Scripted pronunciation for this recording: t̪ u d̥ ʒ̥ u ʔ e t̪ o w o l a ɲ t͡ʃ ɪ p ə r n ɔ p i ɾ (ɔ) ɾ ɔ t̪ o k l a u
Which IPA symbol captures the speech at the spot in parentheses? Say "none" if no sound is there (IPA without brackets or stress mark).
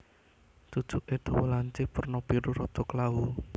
u